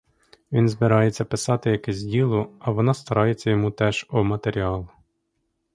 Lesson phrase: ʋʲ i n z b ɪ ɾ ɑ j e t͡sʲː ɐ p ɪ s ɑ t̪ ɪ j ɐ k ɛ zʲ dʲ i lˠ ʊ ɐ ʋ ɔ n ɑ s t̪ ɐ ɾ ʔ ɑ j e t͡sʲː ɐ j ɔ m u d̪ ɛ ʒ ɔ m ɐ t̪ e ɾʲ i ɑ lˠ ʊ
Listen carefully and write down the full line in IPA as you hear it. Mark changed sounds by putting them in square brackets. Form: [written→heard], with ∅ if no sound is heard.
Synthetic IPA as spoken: ʋʲ i n z b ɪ ɾ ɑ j e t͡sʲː ɐ p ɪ s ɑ t̪ ɪ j ɐ k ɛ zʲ dʲ i lˠ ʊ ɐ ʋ ɔ n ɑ s t̪ ɐ ɾ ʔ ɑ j e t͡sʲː ɐ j ɔ m u [d̪→t̪] ɛ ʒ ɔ m ɐ t̪ e ɾʲ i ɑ lˠ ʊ